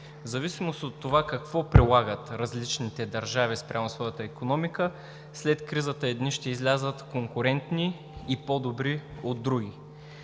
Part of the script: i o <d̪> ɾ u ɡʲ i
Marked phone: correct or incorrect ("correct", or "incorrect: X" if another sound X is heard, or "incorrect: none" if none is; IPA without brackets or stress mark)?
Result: incorrect: d̪ː